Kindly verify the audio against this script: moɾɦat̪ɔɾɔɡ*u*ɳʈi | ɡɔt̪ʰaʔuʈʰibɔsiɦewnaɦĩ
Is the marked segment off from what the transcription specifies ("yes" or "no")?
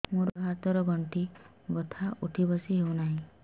yes